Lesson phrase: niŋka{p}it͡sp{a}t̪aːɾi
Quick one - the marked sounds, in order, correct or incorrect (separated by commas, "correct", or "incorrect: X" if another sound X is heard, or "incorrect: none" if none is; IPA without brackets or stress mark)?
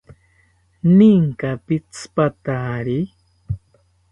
correct, correct